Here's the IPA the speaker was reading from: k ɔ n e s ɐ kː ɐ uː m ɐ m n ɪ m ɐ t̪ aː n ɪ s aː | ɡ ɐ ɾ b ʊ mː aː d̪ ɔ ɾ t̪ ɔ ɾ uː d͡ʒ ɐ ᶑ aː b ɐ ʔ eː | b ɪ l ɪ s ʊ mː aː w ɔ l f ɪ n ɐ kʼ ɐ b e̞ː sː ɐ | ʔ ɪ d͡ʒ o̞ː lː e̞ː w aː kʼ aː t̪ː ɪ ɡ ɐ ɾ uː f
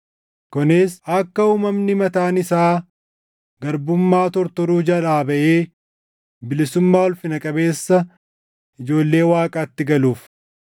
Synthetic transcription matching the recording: k ɔ n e s ɐ kː ɐ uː m ɐ m n ɪ m ɐ t̪ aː n ɪ s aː | ɡ ɐ ɾ b ʊ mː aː t̪ ɔ ɾ t̪ ɔ ɾ uː d͡ʒ ɐ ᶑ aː b ɐ ʔ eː | b ɪ l ɪ s ʊ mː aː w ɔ l f ɪ n ɐ kʼ ɐ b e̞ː sː ɐ | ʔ ɪ d͡ʒ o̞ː lː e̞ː w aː kʼ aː t̪ː ɪ ɡ ɐ l uː f